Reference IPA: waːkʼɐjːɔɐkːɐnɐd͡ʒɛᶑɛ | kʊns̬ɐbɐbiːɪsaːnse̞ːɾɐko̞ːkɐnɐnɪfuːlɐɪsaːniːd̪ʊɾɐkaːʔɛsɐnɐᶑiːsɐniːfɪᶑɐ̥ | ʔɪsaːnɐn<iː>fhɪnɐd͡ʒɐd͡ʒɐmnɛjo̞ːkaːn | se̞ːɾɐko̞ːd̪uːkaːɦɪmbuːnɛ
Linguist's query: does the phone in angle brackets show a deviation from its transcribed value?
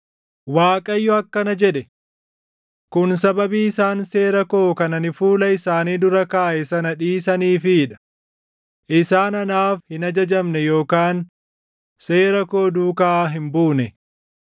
yes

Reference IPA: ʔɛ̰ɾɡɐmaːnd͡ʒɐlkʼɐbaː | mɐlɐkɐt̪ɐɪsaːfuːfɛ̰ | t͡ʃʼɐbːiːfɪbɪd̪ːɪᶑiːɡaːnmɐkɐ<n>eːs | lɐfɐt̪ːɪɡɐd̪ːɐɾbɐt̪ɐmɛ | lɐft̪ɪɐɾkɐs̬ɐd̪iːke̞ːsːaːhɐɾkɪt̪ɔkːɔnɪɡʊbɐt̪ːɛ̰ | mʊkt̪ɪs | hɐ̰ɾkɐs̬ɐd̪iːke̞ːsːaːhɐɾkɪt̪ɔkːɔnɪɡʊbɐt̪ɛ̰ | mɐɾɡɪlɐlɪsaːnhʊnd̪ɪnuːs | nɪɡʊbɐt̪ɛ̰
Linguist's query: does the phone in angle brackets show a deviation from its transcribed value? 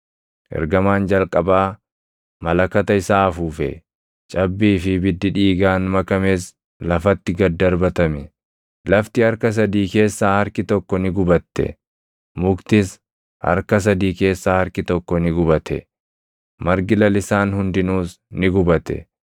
yes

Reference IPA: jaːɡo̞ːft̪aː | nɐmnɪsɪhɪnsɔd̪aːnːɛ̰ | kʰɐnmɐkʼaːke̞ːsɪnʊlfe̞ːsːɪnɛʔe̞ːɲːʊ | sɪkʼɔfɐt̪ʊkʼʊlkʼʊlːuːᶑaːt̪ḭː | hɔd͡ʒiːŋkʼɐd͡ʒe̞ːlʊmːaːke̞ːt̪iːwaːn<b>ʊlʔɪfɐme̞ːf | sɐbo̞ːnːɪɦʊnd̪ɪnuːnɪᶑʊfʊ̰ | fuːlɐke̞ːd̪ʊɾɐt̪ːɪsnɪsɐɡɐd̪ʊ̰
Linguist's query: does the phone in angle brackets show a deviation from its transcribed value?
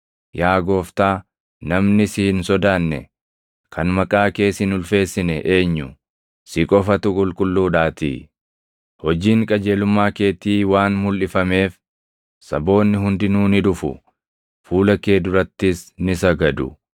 yes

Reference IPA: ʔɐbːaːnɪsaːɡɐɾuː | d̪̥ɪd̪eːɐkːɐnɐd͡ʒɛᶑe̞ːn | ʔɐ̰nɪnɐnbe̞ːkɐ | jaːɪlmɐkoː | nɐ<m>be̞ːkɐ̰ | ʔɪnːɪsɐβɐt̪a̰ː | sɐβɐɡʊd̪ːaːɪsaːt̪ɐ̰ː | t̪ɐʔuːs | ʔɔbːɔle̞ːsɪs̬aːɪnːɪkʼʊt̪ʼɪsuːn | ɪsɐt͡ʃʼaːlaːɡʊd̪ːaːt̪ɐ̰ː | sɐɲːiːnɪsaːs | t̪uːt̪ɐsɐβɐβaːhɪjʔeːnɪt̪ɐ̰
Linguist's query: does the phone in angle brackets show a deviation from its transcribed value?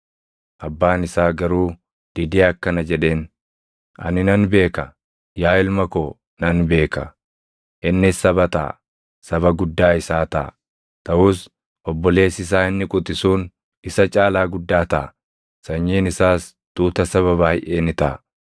yes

